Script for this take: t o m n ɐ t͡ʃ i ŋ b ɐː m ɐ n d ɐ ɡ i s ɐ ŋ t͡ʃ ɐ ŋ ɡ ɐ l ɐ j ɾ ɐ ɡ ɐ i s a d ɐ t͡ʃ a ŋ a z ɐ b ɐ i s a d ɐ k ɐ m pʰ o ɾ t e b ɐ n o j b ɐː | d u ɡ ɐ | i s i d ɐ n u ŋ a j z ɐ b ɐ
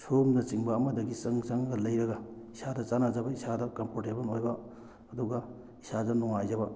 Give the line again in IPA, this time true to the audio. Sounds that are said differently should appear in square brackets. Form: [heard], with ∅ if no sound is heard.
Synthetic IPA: [s] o m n ɐ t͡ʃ i ŋ b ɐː m ɐ [∅] d ɐ ɡ i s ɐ ŋ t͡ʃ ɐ ŋ ɡ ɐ l ɐ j ɾ ɐ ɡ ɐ i s a d ɐ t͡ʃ a [n] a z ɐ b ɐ i s a d ɐ k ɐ m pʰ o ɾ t e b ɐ n o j b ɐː | d u ɡ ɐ | i s [a] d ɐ n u ŋ a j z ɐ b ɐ